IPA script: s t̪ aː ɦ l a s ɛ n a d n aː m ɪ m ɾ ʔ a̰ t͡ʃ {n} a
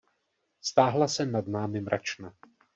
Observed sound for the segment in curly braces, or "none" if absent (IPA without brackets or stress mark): n